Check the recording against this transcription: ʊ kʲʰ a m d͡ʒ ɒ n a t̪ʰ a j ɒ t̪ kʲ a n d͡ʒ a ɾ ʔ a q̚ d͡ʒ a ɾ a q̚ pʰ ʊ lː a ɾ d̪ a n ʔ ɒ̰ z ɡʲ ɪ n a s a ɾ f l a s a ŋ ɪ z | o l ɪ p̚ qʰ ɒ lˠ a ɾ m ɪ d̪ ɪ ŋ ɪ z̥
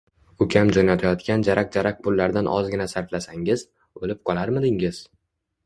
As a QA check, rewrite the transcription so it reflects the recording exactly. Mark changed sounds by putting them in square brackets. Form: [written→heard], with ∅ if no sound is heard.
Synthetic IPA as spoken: ʊ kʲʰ a m d͡ʒ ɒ n a t̪ʰ a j ɒ t̪ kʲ a n d͡ʒ a ɾ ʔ a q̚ d͡ʒ a ɾ a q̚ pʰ ʊ lː a ɾ d̪ a n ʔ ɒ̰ z ɡʲ ɪ n a s a ɾ f l a s a ŋ ɪ z | o l ɪ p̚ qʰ ɒ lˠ a ɾ m ɪ d̪ ɪ ŋ ɪ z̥

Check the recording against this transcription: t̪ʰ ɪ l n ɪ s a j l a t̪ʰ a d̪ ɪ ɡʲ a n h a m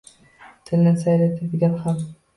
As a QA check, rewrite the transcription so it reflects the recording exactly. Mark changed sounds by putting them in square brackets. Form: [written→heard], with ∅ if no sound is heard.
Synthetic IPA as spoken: t̪ʰ ɪ l n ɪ s a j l a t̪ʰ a d̪ ɪ ɡʲ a n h a m

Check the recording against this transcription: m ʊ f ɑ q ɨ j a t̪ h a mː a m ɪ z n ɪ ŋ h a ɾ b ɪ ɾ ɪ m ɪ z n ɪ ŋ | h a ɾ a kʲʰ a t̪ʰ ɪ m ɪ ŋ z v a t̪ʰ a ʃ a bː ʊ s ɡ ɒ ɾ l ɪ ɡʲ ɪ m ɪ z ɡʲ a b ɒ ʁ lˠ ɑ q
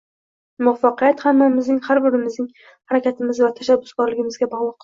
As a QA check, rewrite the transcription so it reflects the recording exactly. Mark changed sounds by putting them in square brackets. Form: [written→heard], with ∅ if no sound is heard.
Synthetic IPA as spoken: m ʊ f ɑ q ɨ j a t̪ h a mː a m ɪ z n ɪ ŋ h a ɾ b ɪ ɾ ɪ m ɪ z n ɪ ŋ | h a ɾ a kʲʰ a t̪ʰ ɪ m ɪ [ŋ→∅] z v a t̪ʰ a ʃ a bː ʊ s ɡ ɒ ɾ l ɪ ɡʲ ɪ m ɪ z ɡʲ a b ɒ ʁ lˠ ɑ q

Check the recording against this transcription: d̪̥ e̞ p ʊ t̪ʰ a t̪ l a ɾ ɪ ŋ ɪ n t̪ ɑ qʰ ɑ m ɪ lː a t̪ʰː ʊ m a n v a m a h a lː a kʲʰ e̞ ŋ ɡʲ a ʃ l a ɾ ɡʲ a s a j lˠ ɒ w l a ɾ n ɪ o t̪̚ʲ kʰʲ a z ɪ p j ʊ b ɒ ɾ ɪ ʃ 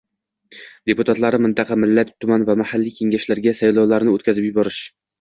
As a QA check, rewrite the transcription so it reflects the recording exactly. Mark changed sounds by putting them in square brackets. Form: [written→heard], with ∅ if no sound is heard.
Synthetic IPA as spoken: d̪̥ e̞ p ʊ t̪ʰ a t̪ l a ɾ ɪ [ŋ→m] ɪ n t̪ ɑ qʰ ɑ m ɪ lː a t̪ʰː ʊ m a n v a m a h a lː [a→i] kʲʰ e̞ ŋ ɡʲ a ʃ l a ɾ ɡʲ a s a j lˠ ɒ w l a ɾ n ɪ o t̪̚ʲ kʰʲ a z ɪ p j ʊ b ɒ ɾ ɪ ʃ

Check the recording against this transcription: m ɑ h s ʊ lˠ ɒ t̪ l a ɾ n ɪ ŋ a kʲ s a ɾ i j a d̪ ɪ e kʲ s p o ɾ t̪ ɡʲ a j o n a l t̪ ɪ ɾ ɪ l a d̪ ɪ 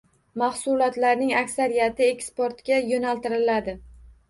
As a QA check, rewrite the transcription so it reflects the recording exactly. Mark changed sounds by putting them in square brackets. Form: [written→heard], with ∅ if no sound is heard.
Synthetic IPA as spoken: m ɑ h s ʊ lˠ ɒ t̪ l a ɾ n ɪ ŋ a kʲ s a ɾ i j a [d̪→t̪] ɪ e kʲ s p o ɾ t̪ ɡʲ a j o n a l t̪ ɪ ɾ ɪ l a d̪ ɪ

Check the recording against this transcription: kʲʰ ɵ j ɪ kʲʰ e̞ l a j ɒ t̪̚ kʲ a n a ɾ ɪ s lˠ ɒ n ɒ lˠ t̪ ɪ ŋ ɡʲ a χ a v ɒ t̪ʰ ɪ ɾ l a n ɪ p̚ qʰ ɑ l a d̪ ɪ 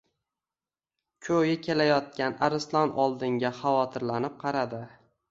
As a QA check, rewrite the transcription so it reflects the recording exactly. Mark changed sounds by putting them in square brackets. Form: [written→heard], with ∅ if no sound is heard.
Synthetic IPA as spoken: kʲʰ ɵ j ɪ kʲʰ e̞ l a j ɒ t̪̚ kʲ a n a ɾ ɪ s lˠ ɒ n ɒ lˠ [t̪→d̪] ɪ ŋ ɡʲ a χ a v ɒ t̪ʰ ɪ ɾ l a n ɪ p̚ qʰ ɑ [l→ɾ] a d̪ ɪ

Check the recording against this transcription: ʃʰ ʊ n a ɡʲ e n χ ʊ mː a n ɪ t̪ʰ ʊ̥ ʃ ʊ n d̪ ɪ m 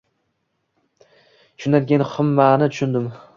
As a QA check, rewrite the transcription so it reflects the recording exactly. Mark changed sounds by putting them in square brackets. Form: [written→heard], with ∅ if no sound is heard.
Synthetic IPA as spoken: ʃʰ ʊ n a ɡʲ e n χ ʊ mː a n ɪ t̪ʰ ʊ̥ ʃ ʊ n d̪ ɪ m

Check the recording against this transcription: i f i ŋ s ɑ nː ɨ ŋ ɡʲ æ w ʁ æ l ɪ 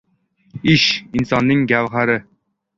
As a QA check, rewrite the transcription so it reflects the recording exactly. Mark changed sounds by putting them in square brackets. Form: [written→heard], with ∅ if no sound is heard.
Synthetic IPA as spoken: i [f→ʃ] i [ŋ→n] s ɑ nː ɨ ŋ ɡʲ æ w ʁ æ [l→ɾ] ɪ

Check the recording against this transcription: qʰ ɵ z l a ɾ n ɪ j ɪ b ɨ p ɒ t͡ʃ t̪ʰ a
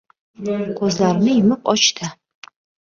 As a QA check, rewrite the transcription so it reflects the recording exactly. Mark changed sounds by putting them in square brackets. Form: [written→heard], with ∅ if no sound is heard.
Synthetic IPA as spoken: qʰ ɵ z l a ɾ n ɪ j ɪ [b→m] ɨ [p→q] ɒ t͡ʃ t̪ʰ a

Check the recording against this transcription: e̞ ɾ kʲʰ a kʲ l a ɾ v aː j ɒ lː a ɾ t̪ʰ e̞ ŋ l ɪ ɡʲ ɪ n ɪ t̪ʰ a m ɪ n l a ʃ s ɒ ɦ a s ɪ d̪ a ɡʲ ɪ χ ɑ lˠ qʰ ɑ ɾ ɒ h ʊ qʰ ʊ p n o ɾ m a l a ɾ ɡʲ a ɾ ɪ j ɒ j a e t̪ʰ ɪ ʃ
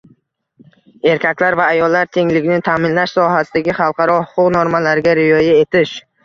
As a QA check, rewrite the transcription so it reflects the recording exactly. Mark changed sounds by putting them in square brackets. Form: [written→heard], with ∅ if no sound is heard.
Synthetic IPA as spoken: e̞ ɾ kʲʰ a kʲ l a ɾ v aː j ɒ lː a ɾ t̪ʰ e̞ ŋ l ɪ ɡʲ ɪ n ɪ t̪ʰ a m ɪ n l a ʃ s ɒ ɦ a s ɪ d̪ a ɡʲ ɪ χ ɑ lˠ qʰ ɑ ɾ ɒ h ʊ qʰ ʊ [p→q] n o ɾ m a l a ɾ ɡʲ a ɾ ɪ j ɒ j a e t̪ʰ ɪ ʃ

